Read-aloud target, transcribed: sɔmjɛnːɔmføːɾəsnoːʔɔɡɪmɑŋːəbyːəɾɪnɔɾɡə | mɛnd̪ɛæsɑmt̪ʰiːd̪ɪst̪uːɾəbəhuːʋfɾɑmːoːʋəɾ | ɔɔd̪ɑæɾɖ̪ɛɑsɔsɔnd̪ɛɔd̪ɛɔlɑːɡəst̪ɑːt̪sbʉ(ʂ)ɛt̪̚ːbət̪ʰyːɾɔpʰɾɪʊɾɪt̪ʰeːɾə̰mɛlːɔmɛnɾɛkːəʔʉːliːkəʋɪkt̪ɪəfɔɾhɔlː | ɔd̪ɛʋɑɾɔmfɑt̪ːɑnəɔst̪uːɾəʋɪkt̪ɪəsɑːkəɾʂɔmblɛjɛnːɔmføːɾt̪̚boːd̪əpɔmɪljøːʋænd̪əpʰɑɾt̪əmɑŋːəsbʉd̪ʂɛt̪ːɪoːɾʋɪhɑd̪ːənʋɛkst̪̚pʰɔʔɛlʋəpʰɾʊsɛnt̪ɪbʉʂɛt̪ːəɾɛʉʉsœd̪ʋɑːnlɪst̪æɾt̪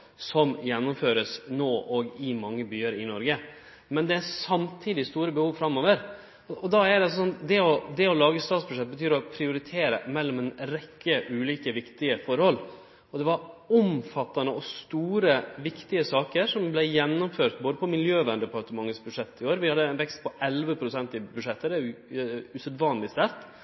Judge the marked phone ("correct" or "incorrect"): correct